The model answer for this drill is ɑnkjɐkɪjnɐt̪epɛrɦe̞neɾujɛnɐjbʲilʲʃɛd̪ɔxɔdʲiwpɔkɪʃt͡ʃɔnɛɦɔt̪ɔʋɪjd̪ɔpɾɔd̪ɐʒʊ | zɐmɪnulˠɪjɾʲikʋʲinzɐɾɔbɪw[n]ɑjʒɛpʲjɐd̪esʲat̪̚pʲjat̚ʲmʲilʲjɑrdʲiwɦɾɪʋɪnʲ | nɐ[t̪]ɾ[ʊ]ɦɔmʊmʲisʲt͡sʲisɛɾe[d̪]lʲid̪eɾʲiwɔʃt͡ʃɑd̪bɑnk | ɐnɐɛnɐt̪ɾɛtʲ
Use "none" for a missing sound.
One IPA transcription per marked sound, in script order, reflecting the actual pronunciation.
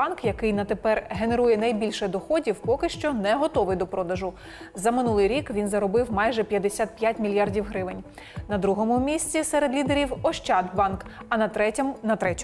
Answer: m, d̪, u, d̪

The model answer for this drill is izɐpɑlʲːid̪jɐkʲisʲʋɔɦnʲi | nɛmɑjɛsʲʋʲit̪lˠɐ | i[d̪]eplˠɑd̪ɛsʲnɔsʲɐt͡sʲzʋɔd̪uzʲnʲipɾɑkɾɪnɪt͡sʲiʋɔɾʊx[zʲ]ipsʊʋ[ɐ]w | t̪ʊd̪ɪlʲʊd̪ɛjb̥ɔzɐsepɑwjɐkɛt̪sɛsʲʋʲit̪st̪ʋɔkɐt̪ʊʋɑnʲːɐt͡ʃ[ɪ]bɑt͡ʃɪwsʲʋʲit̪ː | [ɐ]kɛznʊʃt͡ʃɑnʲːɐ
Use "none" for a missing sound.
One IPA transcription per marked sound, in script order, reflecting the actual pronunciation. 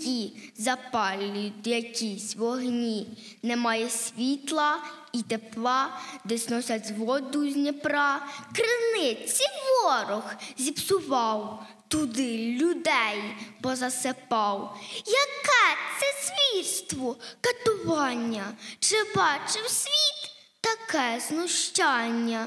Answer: t̪, zʲ, ɑ, ɪ, ɐ

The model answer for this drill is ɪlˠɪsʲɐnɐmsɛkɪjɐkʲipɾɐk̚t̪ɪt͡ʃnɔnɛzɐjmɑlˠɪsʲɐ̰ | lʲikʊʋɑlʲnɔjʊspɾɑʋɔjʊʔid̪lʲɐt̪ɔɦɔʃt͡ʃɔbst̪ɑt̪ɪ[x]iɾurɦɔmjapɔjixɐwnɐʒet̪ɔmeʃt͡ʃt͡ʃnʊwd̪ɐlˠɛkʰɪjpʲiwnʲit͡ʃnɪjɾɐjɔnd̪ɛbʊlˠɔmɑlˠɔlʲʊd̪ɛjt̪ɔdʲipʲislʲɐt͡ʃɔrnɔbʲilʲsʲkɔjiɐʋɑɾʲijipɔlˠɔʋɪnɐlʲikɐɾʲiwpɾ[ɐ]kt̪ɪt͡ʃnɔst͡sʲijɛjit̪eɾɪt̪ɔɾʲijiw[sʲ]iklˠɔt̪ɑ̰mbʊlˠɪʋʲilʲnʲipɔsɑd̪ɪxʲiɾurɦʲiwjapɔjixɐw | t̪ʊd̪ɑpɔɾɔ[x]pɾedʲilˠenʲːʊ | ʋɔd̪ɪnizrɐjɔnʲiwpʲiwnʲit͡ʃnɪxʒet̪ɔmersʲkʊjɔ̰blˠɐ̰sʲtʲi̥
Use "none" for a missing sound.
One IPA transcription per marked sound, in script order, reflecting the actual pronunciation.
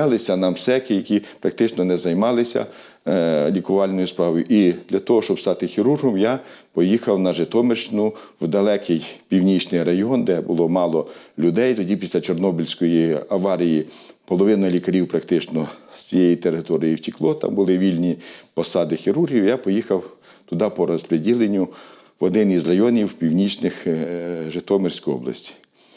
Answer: x, ɐ, tʲ, s

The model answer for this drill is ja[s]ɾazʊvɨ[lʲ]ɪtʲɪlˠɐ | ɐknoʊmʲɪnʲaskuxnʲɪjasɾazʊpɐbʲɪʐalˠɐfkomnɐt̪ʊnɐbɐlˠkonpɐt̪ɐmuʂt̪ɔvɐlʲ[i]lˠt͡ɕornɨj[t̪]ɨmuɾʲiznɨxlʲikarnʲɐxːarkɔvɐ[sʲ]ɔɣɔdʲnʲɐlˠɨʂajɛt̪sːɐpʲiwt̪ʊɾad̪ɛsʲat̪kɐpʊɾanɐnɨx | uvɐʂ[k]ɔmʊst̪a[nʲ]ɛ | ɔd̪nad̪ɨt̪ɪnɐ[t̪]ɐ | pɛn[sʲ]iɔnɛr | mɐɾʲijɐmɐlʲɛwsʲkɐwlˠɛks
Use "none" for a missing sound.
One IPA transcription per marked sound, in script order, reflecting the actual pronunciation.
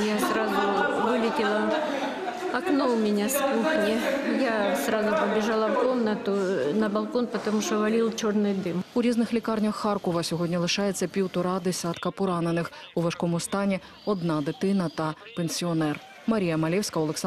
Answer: s, lʲ, i, d̪, sʲ, k, nʲ, t̪, sʲ

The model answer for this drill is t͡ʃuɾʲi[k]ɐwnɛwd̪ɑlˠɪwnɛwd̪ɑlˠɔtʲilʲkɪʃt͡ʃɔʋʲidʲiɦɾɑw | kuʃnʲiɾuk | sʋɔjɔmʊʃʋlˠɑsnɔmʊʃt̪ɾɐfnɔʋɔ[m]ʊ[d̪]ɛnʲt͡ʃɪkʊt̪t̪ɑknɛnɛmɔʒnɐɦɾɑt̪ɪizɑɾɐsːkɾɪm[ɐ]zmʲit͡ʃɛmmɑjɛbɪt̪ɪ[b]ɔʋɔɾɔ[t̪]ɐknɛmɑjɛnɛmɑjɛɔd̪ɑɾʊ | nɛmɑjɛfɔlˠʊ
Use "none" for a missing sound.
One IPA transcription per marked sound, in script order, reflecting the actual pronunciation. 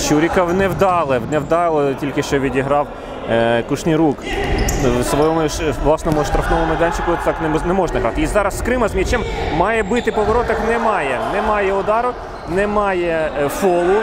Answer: k, m, d̪, ɐ, p, t̪

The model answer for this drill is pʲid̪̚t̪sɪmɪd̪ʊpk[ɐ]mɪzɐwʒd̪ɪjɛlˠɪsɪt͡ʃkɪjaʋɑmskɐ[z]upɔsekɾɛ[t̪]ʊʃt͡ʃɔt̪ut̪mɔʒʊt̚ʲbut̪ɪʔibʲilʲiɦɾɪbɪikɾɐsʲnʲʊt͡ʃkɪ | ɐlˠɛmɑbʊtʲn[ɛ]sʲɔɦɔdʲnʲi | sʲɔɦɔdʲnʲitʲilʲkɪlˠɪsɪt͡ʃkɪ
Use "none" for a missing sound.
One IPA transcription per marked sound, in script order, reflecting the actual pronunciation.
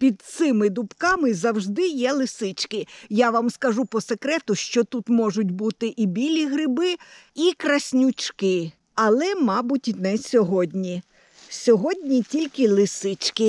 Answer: ɑ, ʒ, t̪, ɛ

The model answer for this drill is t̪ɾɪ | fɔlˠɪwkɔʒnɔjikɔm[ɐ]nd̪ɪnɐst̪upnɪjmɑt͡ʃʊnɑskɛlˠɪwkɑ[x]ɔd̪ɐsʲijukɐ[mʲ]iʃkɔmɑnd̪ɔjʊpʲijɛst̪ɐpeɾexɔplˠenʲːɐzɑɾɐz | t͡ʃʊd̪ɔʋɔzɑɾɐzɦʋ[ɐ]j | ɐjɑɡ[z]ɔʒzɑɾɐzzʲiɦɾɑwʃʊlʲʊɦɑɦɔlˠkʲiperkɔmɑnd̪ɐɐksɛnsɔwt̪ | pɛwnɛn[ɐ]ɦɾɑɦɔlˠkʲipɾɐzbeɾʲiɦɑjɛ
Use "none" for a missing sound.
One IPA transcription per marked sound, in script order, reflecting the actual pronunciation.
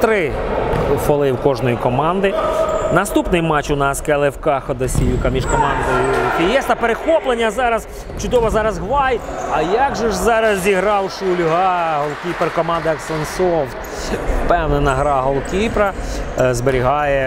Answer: ɑ, x, mʲ, ɑ, ʒ, ɐ

